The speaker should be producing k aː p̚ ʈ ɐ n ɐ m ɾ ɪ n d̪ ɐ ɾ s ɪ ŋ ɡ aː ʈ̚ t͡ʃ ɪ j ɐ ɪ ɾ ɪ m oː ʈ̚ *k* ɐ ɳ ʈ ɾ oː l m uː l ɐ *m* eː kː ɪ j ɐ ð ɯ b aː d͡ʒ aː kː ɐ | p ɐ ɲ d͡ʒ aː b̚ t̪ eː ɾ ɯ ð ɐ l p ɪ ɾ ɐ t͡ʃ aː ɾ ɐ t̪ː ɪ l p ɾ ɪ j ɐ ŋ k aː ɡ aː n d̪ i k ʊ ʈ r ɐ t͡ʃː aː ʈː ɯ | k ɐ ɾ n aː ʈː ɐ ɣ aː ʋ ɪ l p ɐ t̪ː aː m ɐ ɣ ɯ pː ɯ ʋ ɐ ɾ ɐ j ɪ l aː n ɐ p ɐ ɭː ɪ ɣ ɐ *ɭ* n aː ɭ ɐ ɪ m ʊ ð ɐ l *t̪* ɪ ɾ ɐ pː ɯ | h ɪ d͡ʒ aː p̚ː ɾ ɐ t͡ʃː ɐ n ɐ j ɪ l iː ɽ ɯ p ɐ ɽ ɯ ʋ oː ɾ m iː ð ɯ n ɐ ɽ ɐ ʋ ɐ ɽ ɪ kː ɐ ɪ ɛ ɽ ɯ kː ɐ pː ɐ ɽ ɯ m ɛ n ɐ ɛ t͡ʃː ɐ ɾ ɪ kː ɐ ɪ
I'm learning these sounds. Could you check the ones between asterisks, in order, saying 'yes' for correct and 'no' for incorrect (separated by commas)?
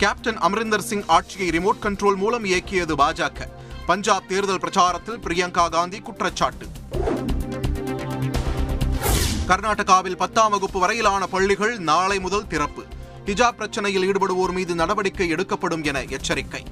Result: yes, yes, yes, yes